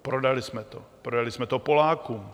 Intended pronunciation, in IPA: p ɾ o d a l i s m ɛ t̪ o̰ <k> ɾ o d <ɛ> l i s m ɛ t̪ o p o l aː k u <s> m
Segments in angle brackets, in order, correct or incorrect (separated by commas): incorrect, incorrect, incorrect